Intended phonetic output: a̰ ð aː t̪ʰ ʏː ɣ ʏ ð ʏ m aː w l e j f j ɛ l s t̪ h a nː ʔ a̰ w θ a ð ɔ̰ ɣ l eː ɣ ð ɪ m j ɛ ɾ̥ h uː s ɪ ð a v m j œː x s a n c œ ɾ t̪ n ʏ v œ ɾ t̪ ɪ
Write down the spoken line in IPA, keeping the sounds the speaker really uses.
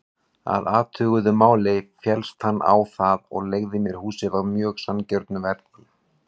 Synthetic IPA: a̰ ð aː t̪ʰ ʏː ɣ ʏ ð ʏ m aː w l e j f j ɛ l s t̪ h a nː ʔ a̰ w θ a ð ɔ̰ ɣ l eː ɣ ð ɪ m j ɛ ɾ̥ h uː s ɪ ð a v m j œː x s a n c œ ɾ t̪ n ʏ v ɛ ɾ t̪ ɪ